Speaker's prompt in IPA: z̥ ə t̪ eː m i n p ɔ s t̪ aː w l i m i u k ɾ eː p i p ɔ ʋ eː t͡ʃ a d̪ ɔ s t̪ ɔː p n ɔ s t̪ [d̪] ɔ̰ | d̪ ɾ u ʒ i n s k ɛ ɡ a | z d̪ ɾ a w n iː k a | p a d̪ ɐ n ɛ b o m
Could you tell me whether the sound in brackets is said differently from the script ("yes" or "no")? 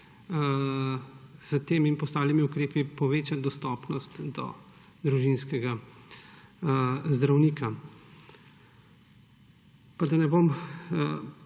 no